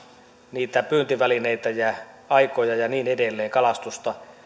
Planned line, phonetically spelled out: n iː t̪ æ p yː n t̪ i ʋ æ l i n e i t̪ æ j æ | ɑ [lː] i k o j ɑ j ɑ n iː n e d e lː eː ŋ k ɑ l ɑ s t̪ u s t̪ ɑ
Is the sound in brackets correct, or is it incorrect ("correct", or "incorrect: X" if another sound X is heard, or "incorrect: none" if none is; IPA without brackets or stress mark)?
incorrect: none